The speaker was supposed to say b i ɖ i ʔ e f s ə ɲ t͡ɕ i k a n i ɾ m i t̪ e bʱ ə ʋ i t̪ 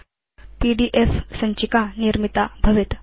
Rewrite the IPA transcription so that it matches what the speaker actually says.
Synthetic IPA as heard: p i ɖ i ʔ e f s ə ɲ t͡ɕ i k a n i ɾ m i t̪ a bʱ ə ʋ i t̪